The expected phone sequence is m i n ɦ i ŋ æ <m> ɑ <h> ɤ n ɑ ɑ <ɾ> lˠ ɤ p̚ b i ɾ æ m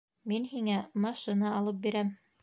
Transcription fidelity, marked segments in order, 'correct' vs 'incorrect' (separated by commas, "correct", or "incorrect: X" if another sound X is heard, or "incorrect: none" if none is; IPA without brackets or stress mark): correct, incorrect: ʃ, incorrect: none